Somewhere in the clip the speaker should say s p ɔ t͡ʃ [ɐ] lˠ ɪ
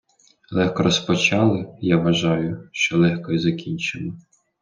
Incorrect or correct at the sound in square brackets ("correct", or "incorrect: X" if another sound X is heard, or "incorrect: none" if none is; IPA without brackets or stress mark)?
incorrect: ɑ